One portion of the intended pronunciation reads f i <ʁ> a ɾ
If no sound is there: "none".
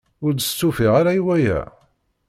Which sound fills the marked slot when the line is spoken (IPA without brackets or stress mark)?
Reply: ʁ